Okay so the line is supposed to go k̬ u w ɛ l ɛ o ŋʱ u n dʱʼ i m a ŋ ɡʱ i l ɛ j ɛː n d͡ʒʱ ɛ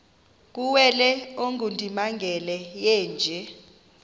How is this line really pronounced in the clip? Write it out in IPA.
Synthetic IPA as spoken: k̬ u w ɛ l ɛ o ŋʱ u n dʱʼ i m a ŋ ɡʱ ɛ l ɛ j ɛː n d͡ʒʱ ɛ